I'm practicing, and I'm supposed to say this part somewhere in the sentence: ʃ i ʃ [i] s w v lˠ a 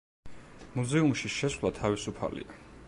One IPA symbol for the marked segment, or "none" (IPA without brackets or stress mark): ɛ